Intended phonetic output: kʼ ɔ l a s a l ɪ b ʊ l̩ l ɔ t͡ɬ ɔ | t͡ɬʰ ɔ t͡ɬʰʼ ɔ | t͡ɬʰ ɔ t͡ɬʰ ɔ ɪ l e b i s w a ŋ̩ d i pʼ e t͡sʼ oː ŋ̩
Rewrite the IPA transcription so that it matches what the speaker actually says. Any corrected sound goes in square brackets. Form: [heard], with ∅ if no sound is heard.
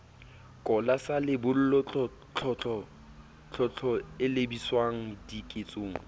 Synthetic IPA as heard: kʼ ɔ l a s a l ɪ b ʊ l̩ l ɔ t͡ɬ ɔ | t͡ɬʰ ɔ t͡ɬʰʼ ɔ | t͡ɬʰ ɔ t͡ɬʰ ɔ ɪ l e b i s w a ŋ̩ d i [kʼ] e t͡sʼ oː ŋ̩